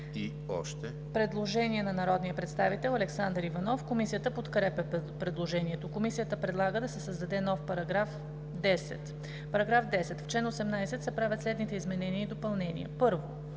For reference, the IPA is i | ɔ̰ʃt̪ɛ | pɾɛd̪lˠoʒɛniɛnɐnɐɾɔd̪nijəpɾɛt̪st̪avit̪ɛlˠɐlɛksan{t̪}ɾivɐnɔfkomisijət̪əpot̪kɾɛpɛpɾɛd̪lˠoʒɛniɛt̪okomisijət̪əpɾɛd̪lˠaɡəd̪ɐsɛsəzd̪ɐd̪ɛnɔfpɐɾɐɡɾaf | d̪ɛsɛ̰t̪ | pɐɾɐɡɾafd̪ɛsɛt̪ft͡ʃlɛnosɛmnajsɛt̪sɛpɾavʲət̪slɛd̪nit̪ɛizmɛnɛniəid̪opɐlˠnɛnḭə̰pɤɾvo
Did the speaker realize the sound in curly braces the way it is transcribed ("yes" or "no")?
no